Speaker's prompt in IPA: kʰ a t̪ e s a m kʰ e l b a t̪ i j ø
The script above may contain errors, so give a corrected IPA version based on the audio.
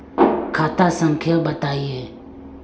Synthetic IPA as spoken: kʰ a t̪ a s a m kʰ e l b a t̪ a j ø

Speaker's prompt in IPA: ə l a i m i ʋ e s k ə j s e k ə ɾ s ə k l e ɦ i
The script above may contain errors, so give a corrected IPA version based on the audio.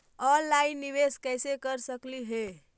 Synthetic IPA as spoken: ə l a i n i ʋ e s k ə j s e k ə ɾ s ə k l i ɦ e

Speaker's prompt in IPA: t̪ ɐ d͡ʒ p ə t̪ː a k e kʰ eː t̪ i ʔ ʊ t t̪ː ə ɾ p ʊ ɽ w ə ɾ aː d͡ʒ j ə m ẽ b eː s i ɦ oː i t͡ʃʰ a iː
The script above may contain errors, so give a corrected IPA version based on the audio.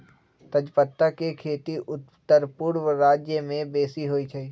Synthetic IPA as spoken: t̪ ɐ d͡ʒ p ə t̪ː a k e kʰ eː t̪ i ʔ ʊ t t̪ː ə ɾ p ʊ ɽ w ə ɾ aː d͡ʒ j ə m ẽ b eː s i ɦ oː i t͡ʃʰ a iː

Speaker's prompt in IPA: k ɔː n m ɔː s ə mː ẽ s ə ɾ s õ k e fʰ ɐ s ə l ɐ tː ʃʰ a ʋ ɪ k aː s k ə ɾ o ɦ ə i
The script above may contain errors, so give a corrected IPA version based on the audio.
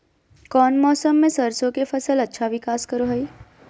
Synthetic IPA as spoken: k ɔː n m ɔː s ə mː ẽ s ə ɾ s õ k e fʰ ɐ s ə l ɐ tː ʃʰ a ʋ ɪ k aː s k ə ɾ o ɦ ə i

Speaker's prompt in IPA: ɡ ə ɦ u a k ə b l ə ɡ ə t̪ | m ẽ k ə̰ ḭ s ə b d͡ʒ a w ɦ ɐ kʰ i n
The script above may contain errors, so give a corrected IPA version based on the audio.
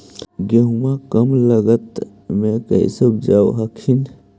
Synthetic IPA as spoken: ɡ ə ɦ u a k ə m l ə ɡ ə t̪ | m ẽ k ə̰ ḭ s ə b d͡ʒ a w ɦ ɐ kʰ i n

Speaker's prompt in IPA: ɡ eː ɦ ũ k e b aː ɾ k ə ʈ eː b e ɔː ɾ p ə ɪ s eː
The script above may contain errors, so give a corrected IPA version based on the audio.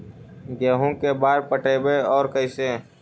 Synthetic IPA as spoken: ɡ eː ɦ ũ k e b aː ɾ p ə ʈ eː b e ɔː ɾ k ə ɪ s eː

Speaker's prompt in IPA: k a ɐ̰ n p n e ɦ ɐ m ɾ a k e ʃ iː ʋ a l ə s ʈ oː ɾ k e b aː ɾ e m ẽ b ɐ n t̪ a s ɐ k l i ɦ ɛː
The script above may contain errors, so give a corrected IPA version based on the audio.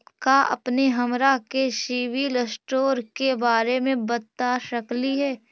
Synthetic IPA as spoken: k a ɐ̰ p n e ɦ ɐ m ɾ a k e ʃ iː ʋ i l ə s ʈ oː ɾ k e b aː ɾ e m ẽ b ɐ t̪ a ʃ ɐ k l i ɦ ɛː

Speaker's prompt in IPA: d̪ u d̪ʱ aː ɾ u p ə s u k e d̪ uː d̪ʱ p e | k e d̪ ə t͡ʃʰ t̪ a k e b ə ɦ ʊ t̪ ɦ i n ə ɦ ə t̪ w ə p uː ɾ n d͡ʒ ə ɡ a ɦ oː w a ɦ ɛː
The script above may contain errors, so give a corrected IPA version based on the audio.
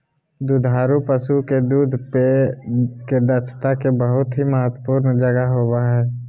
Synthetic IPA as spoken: d̪ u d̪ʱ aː ɾ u p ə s u k e d̪ uː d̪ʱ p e | k e d̪ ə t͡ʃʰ t̪ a k e b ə ɦ ʊ t̪ ɦ i m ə ɦ ə t̪ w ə p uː ɾ n d͡ʒ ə ɡ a ɦ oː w a ɦ ɛː

